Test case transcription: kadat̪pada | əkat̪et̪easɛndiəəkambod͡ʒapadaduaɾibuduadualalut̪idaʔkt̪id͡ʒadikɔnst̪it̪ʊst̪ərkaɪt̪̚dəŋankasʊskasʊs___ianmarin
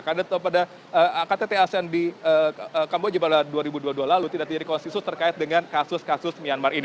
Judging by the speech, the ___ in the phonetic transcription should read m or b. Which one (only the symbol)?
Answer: m